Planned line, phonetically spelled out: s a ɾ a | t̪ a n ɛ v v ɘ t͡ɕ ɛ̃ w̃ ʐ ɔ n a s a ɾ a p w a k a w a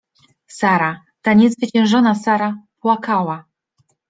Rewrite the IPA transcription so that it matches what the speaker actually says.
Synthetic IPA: s a ɾ a | t̪ a ɲ ɛ z v ɘ t͡ɕ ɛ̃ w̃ ʐ ɔ n a s a ɾ a p w a k a w a

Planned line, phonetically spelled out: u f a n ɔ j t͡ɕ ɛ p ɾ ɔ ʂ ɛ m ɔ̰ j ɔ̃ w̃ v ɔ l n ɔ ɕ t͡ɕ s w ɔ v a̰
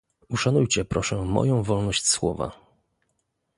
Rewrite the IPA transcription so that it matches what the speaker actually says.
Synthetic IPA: u ʂ a n u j t͡ɕ ɛ p ɾ ɔ ʂ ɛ m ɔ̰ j ɔ̃ w̃ v ɔ l n ɔ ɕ t͡ɕ s w ɔ v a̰

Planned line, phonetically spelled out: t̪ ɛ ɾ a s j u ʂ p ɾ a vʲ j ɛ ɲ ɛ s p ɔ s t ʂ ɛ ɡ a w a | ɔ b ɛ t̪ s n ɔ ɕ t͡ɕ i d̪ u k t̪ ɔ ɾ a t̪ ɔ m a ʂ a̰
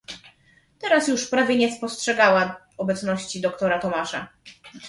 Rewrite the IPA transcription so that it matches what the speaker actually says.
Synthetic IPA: t̪ ɛ ɾ a s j u ʂ p ɾ a vʲ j ɛ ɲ ɛ s p ɔ s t ʂ ɛ ɡ a w a | ɔ b ɛ t̪ s n ɔ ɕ t͡ɕ i d̪ ɔ k t̪ ɔ ɾ a t̪ ɔ m a ʂ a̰

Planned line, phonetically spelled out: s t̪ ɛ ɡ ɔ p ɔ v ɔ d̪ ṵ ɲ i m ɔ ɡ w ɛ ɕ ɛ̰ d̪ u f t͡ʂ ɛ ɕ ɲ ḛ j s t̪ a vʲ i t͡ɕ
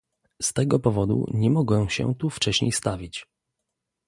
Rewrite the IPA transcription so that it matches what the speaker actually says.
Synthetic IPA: s t̪ ɛ ɡ ɔ p ɔ v ɔ d̪ ṵ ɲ ɛ m ɔ ɡ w ɛ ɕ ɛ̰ t̪ u f t͡ʂ ɛ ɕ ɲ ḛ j s t̪ a vʲ i t͡ɕ

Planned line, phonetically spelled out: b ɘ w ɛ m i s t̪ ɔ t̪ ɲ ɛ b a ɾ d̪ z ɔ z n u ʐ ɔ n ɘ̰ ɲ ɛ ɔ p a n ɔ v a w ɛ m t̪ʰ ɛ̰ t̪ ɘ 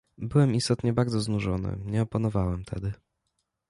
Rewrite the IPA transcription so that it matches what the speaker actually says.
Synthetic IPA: b ɘ w ɛ m i s t̪ ɔ t̪ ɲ ɛ b a ɾ d̪ z ɔ z n u ʐ ɔ n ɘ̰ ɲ ɛ ɔ p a n ɔ v a w ɛ m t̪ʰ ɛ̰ d̪ ɘ

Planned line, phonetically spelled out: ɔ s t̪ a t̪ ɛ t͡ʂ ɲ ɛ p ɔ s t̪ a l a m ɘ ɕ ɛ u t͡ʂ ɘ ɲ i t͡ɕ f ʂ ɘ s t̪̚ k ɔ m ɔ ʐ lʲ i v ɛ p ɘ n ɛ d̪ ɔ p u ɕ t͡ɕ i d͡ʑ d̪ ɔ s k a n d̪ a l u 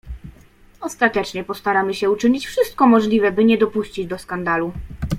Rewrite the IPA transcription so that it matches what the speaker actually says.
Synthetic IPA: ɔ s t̪ a t̪ ɛ t͡ʂ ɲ ɛ p ɔ s t̪ a ɾ a m ɘ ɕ ɛ u t͡ʂ ɘ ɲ i t͡ɕ f ʂ ɘ s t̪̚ k ɔ m ɔ ʐ lʲ i v ɛ b ɘ ɲ ɛ d̪ ɔ p u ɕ t͡ɕ i d͡ʑ d̪ ɔ s k a n d̪ a l u

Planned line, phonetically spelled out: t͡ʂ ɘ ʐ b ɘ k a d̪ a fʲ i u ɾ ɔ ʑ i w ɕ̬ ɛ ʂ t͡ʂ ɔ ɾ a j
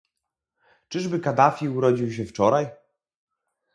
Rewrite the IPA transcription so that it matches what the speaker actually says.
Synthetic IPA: t͡ʂ ɘ ʐ b ɘ k a d̪ a fʲ i u ɾ ɔ d͡ʑ i w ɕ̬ ɛ f t͡ʂ ɔ ɾ a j

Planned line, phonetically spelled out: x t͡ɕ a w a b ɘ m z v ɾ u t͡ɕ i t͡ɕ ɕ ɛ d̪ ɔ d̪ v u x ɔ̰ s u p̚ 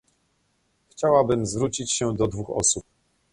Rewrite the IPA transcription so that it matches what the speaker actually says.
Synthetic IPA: x t͡ɕ a w a b ɘ m z v ɾ u t͡ɕ i t͡ɕ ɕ ɛ d̪ ɔ d̪ v u x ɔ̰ s u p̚

